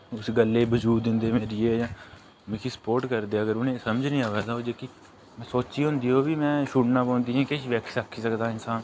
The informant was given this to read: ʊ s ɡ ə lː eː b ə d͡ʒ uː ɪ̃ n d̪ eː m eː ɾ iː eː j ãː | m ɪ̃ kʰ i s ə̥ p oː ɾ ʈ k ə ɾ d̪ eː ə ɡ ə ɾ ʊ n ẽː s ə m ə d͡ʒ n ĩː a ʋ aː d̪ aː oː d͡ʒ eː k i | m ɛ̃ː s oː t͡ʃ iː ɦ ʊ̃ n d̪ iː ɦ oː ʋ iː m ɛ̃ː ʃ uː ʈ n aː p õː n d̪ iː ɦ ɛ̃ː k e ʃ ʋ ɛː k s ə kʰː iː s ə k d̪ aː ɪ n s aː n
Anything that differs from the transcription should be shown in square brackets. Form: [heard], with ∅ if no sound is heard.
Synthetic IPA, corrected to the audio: ʊ s ɡ ə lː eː b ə d͡ʒ uː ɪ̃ n d̪ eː m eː ɾ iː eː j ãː | m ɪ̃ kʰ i s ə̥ p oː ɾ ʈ k ə ɾ d̪ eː ə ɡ ə ɾ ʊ n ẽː s ə m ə d͡ʒ n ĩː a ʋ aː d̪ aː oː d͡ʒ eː k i | m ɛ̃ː s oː t͡ʃ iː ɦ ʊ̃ n d̪ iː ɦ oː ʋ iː m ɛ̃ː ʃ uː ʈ n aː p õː n d̪ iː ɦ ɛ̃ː k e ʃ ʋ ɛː k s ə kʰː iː s ə k d̪ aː ɪ n s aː n